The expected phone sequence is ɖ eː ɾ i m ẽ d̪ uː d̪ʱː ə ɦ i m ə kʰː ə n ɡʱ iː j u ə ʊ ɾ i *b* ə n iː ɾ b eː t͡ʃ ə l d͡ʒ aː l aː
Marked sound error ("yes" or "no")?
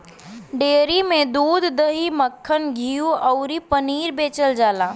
yes